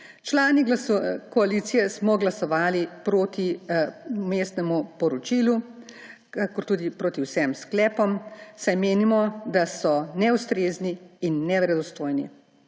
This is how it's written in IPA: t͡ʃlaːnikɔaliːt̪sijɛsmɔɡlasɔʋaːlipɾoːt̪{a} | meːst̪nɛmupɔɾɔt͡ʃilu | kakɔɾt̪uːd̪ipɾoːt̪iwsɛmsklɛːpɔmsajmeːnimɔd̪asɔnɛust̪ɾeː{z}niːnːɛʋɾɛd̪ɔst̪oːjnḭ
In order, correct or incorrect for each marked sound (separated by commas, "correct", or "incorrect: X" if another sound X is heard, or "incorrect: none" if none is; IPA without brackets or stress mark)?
incorrect: i, correct